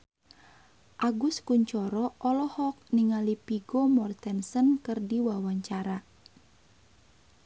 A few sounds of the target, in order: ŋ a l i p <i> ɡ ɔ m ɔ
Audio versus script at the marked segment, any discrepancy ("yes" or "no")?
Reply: no